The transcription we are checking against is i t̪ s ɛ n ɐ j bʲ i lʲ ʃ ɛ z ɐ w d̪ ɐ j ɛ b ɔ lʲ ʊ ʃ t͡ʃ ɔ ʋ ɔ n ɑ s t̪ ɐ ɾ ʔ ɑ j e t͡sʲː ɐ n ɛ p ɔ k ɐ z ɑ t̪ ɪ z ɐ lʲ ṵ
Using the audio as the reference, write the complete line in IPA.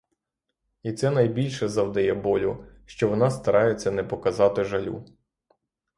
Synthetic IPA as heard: i t̪ s ɛ n ɐ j bʲ i lʲ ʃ ɛ z ɐ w d̪ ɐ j ɛ b ɔ lʲ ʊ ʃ t͡ʃ ɔ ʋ ɔ n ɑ s t̪ ɐ ɾ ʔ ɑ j e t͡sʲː ɐ n ɛ p ɔ k ɐ z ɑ t̪ ɪ ʒ ɐ lʲ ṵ